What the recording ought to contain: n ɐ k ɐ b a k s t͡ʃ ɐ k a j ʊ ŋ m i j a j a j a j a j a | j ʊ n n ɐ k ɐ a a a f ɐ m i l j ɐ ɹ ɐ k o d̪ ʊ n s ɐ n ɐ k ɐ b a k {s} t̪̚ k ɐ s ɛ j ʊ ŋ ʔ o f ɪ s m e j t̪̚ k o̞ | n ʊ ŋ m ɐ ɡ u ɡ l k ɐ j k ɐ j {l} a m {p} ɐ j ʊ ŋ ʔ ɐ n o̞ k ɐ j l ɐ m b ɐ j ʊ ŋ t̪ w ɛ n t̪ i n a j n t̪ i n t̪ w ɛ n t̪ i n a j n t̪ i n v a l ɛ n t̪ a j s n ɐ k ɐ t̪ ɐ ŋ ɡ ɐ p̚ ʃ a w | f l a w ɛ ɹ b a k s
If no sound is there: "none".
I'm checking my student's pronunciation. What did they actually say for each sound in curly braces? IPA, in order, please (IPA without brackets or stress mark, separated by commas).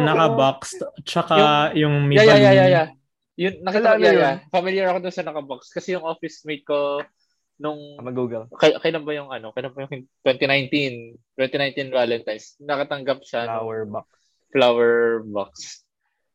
s, l, b